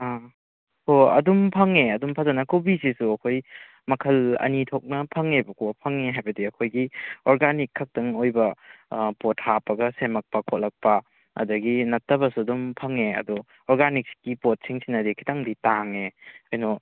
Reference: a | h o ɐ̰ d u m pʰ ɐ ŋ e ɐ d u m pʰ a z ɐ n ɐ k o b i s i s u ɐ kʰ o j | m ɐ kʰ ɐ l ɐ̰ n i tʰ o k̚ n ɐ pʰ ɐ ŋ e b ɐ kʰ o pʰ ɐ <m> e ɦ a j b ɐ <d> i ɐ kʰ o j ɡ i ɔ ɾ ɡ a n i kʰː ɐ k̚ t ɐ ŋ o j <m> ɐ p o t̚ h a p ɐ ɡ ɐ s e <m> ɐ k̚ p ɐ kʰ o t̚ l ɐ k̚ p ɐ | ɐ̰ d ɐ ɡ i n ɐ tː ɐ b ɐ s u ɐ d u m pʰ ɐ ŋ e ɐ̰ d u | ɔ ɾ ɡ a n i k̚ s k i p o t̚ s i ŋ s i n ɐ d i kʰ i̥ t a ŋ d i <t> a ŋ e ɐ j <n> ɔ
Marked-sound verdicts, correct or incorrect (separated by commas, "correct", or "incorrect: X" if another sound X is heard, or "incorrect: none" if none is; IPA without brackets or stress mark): incorrect: ŋ, correct, incorrect: b, correct, correct, correct